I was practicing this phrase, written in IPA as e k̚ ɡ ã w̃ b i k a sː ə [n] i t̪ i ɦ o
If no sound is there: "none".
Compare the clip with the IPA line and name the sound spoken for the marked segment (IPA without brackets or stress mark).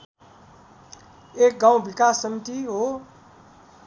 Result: m